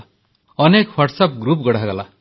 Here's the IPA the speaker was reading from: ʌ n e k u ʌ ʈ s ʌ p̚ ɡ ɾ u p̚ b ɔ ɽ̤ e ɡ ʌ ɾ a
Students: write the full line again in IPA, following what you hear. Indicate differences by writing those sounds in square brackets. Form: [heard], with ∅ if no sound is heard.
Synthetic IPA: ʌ n e k [w] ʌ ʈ s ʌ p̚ ɡ ɾ u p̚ [ɡ] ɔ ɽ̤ [a] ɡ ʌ [l] a